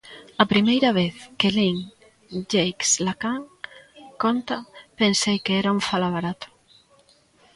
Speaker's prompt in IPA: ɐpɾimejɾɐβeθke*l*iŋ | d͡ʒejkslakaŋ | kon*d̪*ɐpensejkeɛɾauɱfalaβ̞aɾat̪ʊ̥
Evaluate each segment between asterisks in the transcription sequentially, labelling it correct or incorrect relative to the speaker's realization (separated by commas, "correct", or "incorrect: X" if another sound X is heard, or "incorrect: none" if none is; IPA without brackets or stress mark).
correct, incorrect: t̪